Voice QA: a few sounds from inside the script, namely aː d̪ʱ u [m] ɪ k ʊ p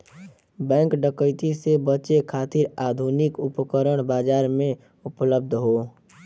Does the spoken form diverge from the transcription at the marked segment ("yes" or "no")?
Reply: yes